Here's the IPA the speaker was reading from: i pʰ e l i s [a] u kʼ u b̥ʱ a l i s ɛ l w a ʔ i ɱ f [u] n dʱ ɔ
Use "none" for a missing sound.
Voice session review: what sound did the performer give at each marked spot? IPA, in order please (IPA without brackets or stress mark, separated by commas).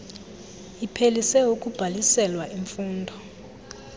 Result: ɛ, uː